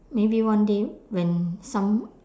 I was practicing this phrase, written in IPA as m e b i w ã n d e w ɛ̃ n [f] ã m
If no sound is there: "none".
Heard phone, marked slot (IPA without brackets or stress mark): s